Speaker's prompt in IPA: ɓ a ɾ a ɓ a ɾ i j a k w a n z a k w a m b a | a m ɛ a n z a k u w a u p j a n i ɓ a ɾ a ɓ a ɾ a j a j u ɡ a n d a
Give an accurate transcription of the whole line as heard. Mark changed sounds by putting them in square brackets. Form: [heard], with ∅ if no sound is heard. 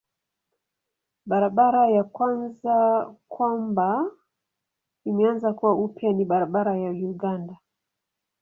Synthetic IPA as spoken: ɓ a ɾ a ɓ a ɾ [a] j a k w a n z a k w a m b a | [i] m ɛ a n z a k u w a u p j a n i ɓ a ɾ a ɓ a ɾ a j a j u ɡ a n d a

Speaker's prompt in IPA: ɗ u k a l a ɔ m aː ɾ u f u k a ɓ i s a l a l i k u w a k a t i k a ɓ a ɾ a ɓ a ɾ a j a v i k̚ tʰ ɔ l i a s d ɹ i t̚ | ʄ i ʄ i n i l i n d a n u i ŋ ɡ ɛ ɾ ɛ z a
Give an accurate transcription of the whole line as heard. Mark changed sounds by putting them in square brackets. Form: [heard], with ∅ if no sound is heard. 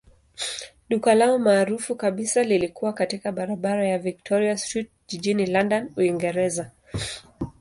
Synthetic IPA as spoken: ɗ u k a l a ɔ m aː ɾ u f u k a ɓ i s a l [i] l i k u w a k a t i k a ɓ a ɾ a ɓ a ɾ a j a v i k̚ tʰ ɔ [ɾ] i a s [t] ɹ i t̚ | ʄ i ʄ i n i l [a] n d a n u i ŋ ɡ ɛ ɾ ɛ z a

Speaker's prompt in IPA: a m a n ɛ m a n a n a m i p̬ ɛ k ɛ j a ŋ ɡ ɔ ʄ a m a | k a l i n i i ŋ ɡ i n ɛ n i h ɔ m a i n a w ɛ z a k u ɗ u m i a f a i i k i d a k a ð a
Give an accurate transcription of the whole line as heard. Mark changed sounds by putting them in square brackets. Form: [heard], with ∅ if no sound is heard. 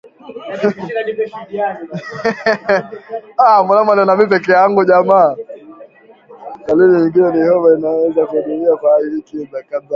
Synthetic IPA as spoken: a m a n [a] m a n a n a m i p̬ ɛ k ɛ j a ŋ ɡ [u] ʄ a m a | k a l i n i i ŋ ɡ i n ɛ n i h ɔ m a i n a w ɛ z a k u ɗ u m i a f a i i k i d a k a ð a

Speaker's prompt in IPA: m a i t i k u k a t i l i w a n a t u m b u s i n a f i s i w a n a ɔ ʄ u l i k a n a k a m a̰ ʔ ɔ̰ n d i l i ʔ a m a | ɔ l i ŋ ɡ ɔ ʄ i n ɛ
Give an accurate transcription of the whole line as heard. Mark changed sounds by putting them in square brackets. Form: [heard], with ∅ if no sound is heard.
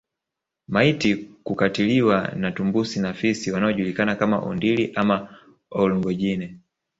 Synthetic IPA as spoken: m a i t i k u k a t i l i w a n a t u m b u s i n a f i s i w a n a ɔ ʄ u l i k a n a k a m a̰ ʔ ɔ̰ n d i l i ʔ a m a | ɔ l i ŋ ɡ ɔ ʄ i n ɛ

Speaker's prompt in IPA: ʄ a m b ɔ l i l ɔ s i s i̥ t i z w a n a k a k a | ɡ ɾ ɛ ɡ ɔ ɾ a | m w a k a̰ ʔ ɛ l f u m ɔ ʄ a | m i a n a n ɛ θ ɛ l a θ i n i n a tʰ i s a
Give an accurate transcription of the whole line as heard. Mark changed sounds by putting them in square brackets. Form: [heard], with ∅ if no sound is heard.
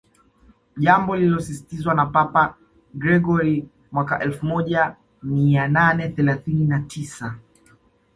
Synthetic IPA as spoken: ʄ a m b ɔ l i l ɔ s i s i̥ t i z w a n a [p] a [p] a | ɡ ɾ ɛ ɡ ɔ ɾ [i] | m w a k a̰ ʔ ɛ l f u m ɔ ʄ a | m i a n a n ɛ θ ɛ l a θ i n i n a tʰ i s a

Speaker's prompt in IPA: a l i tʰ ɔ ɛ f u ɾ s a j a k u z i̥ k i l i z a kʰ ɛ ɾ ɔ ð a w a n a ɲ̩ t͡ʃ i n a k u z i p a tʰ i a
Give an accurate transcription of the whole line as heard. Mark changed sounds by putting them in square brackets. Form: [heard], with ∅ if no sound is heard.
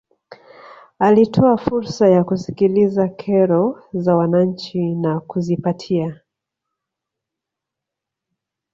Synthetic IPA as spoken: a l i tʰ ɔ [a] f u ɾ s a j a k u [s] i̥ k i l i z a kʰ ɛ ɾ ɔ [z] a w a n a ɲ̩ t͡ʃ i n a k u z i p a tʰ i a

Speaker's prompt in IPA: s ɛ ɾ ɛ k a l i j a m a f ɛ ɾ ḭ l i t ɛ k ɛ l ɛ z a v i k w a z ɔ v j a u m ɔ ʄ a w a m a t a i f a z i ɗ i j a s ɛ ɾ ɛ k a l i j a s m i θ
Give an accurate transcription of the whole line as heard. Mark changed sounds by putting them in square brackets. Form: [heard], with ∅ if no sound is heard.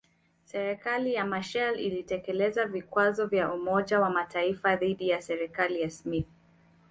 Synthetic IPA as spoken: s ɛ ɾ ɛ k a l i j a m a [ʃ] ɛ [l] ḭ l i t ɛ k ɛ l ɛ z a v i k w a z ɔ v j a u m ɔ ʄ a w a m a t a i f a [ð] i ɗ i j a s ɛ ɾ ɛ k a l i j a s m i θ

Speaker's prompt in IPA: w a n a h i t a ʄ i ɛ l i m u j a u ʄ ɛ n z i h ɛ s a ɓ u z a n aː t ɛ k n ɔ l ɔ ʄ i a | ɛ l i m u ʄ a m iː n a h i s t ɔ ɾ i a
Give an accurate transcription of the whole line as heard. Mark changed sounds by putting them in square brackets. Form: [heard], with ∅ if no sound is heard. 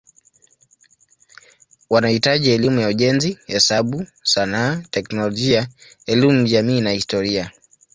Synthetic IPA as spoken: w a n a h i t a ʄ i ɛ l i m u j a u ʄ ɛ n z i h ɛ s a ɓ u [s] a n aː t ɛ k n ɔ l ɔ ʄ i a | ɛ l i m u ʄ a m iː n a h i s t ɔ ɾ i a

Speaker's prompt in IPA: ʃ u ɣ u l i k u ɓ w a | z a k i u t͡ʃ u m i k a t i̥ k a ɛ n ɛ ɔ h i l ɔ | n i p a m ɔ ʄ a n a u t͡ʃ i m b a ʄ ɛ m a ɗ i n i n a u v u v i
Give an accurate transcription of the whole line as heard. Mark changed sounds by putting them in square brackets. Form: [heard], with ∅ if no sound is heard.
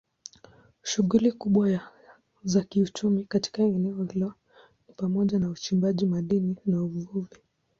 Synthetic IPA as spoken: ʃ u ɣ u l i k u ɓ w a | z a k i u t͡ʃ u m i k a t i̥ k a ɛ n ɛ ɔ h i l ɔ | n i p a m ɔ ʄ a n a u t͡ʃ i m b a ʄ [i] m a ɗ i n i n a u v u v i

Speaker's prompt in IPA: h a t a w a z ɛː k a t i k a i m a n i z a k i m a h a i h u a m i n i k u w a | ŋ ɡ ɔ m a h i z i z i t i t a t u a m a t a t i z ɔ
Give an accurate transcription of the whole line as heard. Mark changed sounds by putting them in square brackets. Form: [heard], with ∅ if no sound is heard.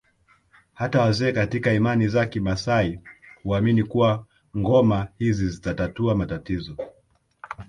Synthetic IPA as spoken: h a t a w a z ɛː k a t i k a i m a n i z a k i m a [s] a i h u a m i n i k u w a | ŋ ɡ ɔ m a h i z i z i t [a] t a t u a m a t a t i z ɔ

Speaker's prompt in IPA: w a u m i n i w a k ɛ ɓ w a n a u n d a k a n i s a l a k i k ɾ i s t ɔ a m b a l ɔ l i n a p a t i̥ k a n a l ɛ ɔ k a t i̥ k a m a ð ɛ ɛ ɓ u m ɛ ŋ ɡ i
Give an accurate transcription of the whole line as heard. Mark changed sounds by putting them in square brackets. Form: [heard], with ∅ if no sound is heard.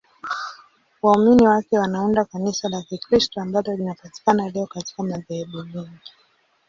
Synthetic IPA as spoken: w a u m i n i w a k ɛ [∅] w a n a u n d a k a n i s a l a k i k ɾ i s t ɔ a m b a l ɔ l i n a p a t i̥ k a n a l ɛ ɔ k a t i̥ k a m a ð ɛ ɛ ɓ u m ɛ ŋ ɡ i

